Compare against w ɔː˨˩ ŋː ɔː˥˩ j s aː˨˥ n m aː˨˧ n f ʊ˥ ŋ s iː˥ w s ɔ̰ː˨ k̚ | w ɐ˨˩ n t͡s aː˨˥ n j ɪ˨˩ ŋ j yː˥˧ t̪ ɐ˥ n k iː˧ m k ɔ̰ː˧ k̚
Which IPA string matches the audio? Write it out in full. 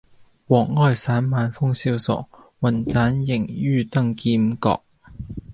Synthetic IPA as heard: w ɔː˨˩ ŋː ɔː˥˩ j s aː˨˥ n m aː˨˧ n f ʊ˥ ŋ s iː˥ w s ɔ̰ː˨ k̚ | w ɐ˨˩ n t͡s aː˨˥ n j ɪ˨˩ ŋ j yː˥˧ t̪ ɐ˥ ŋ k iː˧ m k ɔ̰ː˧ k̚